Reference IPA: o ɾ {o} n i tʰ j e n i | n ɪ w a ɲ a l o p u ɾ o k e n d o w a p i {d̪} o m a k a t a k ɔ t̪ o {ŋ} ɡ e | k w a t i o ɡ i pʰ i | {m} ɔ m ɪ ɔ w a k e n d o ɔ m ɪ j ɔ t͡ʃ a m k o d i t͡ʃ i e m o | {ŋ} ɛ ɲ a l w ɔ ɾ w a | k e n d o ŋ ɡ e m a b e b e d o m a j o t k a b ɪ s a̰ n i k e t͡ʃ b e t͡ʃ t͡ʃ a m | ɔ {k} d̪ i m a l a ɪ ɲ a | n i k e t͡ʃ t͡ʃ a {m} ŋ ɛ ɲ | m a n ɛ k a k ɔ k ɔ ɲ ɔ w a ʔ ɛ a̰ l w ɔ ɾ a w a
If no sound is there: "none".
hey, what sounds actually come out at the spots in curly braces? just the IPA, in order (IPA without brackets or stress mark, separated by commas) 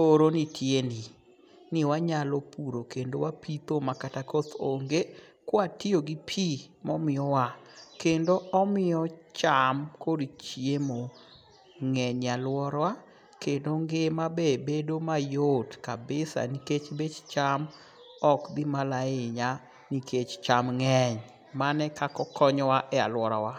o, t̪, ŋ, m, ŋ, k, m